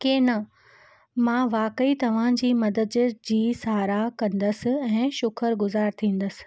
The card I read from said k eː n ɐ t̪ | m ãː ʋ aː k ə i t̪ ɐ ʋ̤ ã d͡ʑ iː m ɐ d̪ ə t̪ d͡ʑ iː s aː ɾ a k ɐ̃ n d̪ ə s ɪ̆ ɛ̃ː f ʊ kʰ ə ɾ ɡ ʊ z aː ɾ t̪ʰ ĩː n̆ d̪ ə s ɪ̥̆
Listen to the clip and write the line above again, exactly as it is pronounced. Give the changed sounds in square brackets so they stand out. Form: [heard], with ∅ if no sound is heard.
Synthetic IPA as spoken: k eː n ɐ [∅] | m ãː ʋ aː k ə i t̪ ɐ ʋ̤ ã d͡ʑ iː m ɐ d̪ ə [d̪] d͡ʑ iː s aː ɾ a k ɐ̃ n d̪ ə s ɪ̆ ɛ̃ː [ʃ] ʊ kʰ ə ɾ ɡ ʊ z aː ɾ t̪ʰ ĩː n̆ d̪ ə s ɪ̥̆